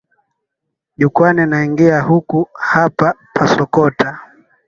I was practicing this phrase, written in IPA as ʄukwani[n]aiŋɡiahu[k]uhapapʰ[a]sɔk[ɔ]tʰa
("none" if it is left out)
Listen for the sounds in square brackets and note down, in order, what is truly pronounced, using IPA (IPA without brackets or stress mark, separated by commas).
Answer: n, k, a, ɔ